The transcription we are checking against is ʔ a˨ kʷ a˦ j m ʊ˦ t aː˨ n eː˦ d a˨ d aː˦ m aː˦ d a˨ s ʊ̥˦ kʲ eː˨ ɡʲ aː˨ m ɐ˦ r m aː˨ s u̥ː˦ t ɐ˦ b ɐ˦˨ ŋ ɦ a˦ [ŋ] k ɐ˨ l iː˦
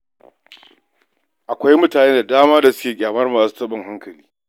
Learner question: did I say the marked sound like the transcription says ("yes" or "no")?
yes